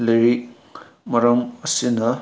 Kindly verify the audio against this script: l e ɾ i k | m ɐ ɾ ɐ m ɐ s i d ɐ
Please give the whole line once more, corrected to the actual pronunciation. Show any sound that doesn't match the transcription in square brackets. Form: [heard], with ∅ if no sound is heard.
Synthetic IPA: l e ɾ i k | m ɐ ɾ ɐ m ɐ s i [n] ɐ